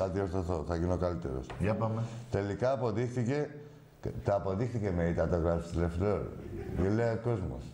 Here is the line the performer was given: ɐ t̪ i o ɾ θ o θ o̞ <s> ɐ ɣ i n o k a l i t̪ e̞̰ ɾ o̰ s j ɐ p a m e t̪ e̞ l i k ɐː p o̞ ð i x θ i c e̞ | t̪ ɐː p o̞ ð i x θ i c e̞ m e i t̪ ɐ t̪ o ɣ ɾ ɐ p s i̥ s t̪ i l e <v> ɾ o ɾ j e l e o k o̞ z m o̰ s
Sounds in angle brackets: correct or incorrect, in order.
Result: incorrect: θ, incorrect: f

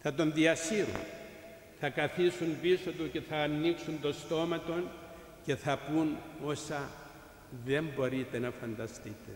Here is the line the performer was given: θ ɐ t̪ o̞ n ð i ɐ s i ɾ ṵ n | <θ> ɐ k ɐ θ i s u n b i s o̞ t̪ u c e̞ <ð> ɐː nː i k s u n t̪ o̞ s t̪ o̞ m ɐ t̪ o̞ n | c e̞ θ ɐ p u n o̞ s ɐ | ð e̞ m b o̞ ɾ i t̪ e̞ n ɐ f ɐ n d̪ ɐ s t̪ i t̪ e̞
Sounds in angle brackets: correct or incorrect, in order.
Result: correct, incorrect: θ

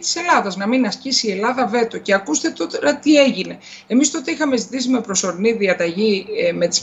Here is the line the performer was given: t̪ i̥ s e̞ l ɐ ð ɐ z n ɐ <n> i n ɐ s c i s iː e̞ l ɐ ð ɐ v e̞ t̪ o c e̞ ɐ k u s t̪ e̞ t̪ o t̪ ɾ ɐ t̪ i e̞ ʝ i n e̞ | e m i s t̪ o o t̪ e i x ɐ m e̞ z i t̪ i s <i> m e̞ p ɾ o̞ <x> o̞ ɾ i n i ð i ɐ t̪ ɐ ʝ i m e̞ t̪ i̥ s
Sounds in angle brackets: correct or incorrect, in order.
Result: incorrect: m, correct, incorrect: s

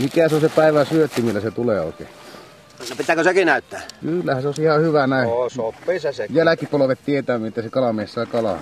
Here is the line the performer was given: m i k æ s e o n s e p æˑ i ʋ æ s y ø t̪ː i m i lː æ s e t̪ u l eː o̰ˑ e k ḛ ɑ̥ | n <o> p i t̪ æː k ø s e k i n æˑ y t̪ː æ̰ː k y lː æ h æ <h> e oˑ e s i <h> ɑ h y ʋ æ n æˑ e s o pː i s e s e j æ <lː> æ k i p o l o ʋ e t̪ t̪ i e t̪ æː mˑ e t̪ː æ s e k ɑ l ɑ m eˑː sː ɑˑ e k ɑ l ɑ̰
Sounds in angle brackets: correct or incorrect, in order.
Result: correct, incorrect: s, correct, incorrect: l

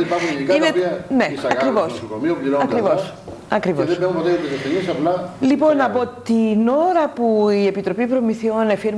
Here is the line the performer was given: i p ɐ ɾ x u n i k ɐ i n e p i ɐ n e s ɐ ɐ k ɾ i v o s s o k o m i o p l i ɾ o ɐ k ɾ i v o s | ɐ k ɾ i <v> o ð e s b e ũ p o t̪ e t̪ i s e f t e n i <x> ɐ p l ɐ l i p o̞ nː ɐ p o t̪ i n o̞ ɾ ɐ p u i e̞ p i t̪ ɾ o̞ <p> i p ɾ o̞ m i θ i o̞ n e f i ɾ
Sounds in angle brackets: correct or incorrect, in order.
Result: correct, incorrect: s, correct

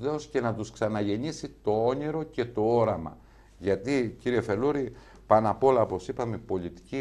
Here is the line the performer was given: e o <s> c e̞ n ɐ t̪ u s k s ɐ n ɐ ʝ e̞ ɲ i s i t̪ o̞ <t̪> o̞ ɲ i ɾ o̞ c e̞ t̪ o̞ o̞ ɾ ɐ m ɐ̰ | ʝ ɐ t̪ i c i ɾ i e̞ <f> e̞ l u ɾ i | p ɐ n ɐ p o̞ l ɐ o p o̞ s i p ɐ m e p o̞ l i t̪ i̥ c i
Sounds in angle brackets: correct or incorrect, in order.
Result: correct, incorrect: none, correct

